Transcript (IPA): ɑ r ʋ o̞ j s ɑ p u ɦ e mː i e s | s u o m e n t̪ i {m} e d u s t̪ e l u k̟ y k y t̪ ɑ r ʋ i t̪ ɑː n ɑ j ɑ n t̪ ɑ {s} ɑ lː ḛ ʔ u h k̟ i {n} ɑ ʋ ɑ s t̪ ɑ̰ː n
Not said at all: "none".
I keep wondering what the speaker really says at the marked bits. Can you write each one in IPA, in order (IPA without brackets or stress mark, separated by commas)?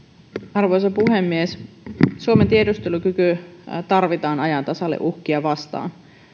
none, s, none